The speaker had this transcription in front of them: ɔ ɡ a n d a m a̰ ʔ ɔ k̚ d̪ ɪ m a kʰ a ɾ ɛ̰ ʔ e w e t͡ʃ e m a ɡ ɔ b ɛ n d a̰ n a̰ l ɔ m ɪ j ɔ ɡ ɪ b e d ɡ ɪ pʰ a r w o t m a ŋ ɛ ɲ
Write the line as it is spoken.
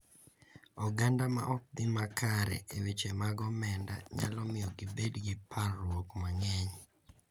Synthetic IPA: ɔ ɡ a n d a m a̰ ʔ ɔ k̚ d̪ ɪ m a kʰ a ɾ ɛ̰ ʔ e w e t͡ʃ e m a ɡ ɔ m ɛ n d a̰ ɲ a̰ l ɔ m ɪ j ɔ ɡ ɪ b e d ɡ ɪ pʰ a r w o k m a ŋ ɛ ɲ